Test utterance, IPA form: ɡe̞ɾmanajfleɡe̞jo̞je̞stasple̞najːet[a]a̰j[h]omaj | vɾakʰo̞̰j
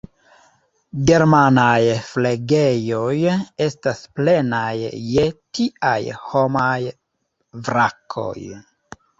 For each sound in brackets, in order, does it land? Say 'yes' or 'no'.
no, yes

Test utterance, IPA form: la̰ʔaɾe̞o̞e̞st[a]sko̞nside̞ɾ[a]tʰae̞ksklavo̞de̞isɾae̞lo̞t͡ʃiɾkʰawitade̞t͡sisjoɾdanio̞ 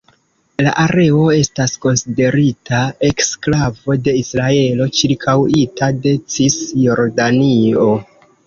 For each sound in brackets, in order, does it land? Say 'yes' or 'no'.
yes, no

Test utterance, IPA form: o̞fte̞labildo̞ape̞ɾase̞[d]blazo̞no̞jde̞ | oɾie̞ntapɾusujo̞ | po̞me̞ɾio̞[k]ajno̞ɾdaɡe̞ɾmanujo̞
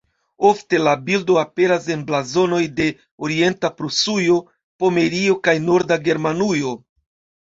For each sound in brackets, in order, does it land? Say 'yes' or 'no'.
no, yes

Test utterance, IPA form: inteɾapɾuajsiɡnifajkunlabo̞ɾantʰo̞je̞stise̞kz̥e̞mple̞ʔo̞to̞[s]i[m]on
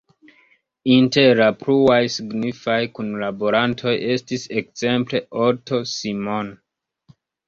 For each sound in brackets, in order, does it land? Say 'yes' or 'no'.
yes, yes

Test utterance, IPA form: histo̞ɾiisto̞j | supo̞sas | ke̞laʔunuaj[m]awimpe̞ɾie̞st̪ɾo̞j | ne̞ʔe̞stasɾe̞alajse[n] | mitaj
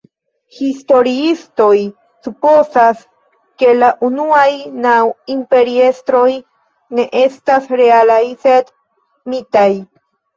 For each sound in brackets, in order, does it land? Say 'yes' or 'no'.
no, no

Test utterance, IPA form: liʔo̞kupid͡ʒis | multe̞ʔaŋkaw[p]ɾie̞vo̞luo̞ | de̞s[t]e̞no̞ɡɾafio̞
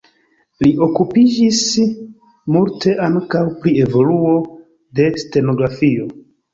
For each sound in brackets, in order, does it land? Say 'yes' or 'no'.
yes, yes

